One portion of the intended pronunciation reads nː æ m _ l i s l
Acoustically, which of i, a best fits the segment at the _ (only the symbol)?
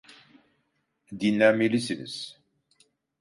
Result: i